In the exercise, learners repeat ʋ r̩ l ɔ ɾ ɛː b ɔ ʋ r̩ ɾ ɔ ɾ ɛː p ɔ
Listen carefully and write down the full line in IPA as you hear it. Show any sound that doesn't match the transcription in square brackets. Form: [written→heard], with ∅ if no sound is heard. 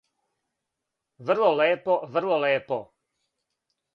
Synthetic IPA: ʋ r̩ l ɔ [ɾ→l] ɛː [b→p] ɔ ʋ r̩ [ɾ→l] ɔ [ɾ→l] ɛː p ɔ